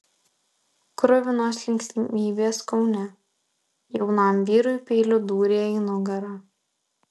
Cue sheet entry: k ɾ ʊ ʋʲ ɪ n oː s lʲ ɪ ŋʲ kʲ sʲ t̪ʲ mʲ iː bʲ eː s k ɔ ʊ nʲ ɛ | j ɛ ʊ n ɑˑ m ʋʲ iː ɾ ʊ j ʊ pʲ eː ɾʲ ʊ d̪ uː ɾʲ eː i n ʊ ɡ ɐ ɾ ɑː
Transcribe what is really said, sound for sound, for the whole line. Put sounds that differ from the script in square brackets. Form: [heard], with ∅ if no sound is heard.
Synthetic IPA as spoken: k ɾ ʊ ʋʲ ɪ n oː s lʲ ɪ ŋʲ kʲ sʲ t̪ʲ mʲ iː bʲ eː s k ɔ ʊ nʲ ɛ | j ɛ ʊ n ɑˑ m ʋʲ iː ɾ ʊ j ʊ pʲ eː [lʲ] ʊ d̪ uː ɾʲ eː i n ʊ ɡ ɐ ɾ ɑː